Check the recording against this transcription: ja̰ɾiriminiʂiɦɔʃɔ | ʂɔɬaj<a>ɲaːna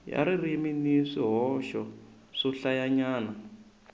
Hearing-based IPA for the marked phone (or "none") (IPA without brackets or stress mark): a